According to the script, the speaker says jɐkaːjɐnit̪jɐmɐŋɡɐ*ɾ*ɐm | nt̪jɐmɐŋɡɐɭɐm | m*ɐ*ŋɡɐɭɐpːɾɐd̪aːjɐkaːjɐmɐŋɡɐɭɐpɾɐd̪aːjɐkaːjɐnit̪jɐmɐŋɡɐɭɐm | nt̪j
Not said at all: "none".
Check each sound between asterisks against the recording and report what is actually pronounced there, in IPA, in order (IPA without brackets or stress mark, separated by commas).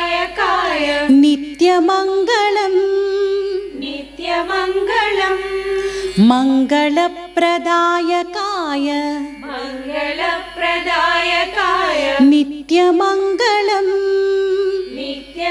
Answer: ɭ, ɐ